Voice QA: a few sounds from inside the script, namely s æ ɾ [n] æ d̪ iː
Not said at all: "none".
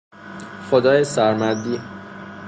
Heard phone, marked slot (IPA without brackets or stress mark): m